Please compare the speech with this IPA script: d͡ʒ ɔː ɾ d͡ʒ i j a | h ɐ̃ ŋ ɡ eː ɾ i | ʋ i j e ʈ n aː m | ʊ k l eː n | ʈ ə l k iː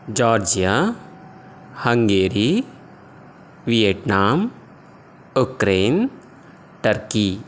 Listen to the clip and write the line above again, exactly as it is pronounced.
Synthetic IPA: d͡ʒ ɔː ɾ d͡ʒ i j a | h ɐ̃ ŋ ɡ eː ɾ i | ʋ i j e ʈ n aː m | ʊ k ɾ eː n | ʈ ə ɾ k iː

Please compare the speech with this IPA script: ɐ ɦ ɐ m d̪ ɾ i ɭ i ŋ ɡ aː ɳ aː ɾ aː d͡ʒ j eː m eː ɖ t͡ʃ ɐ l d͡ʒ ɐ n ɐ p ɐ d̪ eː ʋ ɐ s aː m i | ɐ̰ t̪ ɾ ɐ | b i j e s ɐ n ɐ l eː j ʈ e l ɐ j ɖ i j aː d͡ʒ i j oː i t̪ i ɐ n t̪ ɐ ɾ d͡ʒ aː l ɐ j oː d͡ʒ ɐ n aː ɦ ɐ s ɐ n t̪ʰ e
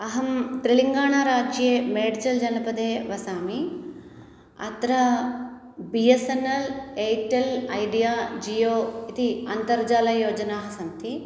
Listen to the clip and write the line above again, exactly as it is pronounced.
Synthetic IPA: ɐ ɦ ɐ m t̪ ɾ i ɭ i ŋ ɡ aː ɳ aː ɾ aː d͡ʒ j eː m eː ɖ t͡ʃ ɐ l d͡ʒ ɐ n ɐ p ɐ d̪ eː ʋ ɐ s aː m i | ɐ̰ t̪ ɾ ɐ | b i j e s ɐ n ɐ l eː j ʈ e l ɐ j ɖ i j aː d͡ʒ i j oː i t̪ i ɐ n t̪ ɐ ɾ d͡ʒ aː l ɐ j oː d͡ʒ ɐ n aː ɦ ɐ s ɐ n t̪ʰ i

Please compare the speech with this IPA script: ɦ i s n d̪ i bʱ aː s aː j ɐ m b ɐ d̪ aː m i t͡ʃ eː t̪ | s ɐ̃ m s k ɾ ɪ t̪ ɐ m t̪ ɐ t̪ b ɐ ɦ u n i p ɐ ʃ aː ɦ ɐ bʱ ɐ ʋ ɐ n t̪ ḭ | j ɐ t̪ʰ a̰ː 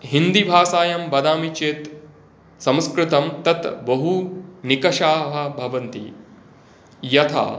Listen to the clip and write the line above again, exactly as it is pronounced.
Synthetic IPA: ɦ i n d̪ i bʱ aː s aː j ɐ m b ɐ d̪ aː m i t͡ʃ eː t̪ | s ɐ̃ m s k ɾ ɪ t̪ ɐ m t̪ ɐ t̪ b ɐ ɦ u n i k ɐ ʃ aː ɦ ɐ bʱ ɐ ʋ ɐ n t̪ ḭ | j ɐ t̪ʰ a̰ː

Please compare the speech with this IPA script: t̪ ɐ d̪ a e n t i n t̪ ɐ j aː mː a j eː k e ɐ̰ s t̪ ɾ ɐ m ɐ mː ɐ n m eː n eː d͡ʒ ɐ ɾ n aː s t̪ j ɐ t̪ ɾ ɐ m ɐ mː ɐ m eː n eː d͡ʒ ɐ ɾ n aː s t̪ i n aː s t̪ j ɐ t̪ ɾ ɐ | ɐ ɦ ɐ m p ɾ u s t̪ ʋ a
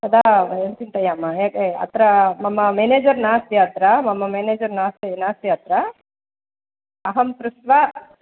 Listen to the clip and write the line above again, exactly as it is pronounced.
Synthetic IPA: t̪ ɐ d̪ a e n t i n t̪ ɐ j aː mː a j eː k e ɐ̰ t̪ ɾ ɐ m ɐ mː ɐ m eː n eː d͡ʒ ɐ ɾ n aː s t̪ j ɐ t̪ ɾ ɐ m ɐ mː ɐ m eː n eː d͡ʒ ɐ ɾ n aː s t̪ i n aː s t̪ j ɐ t̪ ɾ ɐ | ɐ ɦ ɐ m p ɾ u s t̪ ʋ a

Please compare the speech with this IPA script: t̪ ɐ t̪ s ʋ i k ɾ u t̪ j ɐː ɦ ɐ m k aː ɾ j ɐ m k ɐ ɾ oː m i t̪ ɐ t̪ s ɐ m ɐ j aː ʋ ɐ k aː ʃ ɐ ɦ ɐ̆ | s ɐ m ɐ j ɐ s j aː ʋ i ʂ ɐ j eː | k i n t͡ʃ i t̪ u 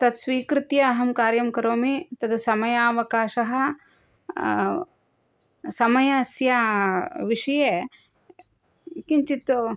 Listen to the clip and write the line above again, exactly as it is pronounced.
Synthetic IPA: t̪ ɐ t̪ s ʋ iː k ɾ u t̪ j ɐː ɦ ɐ m k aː ɾ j ɐ m k ɐ ɾ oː m i t̪ ɐ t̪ s ɐ m ɐ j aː ʋ ɐ k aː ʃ ɐ ɦ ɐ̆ | s ɐ m ɐ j ɐ s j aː ʋ i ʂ ɐ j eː | k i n t͡ʃ i t̪ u

